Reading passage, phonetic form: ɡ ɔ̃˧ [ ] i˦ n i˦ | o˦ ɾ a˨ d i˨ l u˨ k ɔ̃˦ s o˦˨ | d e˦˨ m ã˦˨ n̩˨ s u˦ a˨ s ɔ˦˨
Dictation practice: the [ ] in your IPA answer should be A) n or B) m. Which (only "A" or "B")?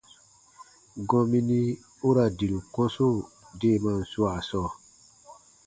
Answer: B